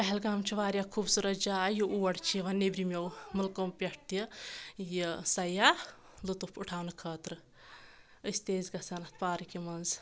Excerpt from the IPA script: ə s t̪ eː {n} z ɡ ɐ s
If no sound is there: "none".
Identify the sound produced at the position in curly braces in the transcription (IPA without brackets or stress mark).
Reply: none